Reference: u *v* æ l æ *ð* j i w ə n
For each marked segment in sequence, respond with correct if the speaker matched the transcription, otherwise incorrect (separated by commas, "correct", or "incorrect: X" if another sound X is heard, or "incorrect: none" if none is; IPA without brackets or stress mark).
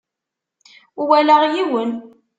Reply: incorrect: w, incorrect: ʁ